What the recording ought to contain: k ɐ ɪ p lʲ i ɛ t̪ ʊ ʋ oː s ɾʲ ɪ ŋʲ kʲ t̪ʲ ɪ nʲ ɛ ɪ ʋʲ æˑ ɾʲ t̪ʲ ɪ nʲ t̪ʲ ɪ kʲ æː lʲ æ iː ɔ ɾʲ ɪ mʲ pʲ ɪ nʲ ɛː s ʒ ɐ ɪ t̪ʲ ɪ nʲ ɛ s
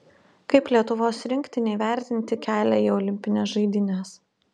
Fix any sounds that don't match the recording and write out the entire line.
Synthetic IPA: k ɐ ɪ p lʲ i ɛ t̪ ʊ ʋ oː s ɾʲ ɪ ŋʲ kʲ t̪ʲ ɪ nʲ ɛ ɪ ʋʲ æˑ ɾʲ t̪ʲ ɪ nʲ t̪ʲ ɪ kʲ æː lʲ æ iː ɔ lʲ ɪ mʲ pʲ ɪ nʲ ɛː s ʒ ɐ ɪ d̪ʲ ɪ nʲ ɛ s